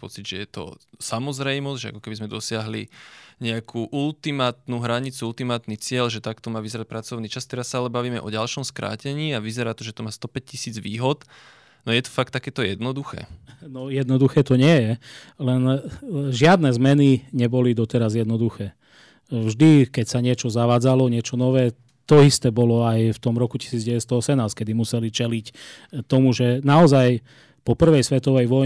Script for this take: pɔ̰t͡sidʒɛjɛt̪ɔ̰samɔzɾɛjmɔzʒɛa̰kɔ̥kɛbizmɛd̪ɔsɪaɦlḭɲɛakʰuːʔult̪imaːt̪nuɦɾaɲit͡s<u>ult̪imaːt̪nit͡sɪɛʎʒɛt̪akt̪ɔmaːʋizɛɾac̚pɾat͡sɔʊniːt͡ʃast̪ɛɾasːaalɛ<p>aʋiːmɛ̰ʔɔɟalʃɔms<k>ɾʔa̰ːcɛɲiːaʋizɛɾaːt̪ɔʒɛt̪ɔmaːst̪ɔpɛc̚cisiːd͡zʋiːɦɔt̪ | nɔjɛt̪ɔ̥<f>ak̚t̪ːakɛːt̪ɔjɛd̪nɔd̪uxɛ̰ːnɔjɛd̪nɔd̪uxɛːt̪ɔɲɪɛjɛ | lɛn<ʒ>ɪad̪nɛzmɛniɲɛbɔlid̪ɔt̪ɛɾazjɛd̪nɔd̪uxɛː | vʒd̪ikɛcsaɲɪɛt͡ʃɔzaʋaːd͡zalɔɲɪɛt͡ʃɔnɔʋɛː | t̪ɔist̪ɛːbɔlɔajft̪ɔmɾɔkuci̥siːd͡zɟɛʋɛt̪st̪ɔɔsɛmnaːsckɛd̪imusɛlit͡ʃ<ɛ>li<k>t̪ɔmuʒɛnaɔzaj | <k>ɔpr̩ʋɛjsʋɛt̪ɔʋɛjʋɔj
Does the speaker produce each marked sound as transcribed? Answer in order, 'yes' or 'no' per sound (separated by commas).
yes, no, yes, yes, yes, yes, no, no